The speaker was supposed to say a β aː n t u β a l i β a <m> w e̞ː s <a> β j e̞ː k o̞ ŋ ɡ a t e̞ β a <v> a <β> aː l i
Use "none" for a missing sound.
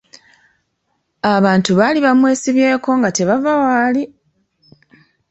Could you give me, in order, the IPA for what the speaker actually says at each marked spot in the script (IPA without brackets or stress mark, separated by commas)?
m, i, v, w